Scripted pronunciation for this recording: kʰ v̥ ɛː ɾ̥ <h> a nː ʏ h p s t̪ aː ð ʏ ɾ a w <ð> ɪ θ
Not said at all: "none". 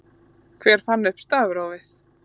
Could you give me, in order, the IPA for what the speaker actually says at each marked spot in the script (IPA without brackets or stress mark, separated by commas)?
f, v